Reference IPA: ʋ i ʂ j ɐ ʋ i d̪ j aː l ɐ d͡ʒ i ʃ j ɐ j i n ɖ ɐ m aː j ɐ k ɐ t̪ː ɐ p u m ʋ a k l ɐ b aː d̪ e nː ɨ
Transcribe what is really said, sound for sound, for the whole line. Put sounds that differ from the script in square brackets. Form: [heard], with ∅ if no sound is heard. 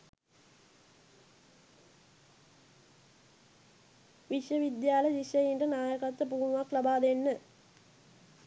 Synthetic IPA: ʋ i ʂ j ɐ ʋ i d̪ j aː l ɐ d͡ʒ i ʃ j ɐ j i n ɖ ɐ [n] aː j ɐ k ɐ t̪ː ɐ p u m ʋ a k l ɐ b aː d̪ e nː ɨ